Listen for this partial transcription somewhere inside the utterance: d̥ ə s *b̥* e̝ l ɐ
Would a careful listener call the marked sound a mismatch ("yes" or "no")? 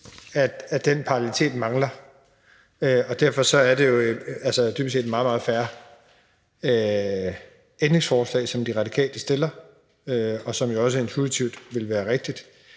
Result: yes